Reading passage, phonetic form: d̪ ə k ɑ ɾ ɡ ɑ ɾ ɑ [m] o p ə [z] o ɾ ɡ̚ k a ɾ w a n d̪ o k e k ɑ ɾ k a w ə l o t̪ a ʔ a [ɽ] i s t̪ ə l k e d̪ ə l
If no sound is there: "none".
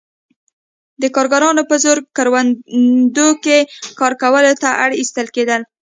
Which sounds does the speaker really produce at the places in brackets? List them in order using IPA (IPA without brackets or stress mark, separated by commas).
n, z, ɽ